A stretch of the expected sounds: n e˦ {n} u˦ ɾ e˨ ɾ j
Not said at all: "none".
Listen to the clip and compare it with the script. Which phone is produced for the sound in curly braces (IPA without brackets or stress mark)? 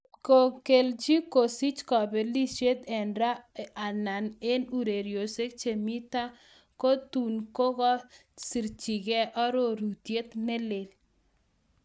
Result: n